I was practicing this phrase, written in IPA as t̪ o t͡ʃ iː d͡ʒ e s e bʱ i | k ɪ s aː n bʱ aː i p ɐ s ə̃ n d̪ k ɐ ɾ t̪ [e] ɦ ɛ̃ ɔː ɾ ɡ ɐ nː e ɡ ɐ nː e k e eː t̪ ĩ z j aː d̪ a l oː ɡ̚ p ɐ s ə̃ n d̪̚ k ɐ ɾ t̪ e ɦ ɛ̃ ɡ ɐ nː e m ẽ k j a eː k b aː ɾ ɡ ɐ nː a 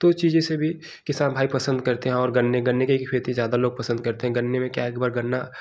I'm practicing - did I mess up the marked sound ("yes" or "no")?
no